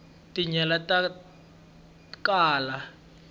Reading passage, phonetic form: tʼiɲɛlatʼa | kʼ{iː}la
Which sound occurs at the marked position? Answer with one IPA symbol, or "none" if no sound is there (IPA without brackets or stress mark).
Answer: aː